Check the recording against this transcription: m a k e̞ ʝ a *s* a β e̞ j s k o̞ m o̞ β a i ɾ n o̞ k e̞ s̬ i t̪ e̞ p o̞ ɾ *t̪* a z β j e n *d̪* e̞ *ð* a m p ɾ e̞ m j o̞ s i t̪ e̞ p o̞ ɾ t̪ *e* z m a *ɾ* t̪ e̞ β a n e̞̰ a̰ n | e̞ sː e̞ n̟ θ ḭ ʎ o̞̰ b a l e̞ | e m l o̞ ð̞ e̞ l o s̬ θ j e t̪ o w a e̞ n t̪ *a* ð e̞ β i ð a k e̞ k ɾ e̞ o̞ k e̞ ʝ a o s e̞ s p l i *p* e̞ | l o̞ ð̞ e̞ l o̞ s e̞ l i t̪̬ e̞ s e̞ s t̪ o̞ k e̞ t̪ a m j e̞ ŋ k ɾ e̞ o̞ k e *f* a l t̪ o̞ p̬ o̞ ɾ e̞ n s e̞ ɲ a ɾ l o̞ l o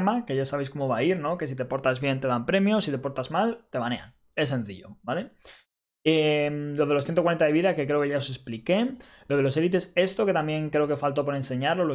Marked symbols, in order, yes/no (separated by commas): yes, yes, no, yes, no, no, yes, no, yes